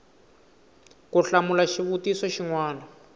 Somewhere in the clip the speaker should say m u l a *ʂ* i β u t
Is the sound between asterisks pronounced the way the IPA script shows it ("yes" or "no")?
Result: no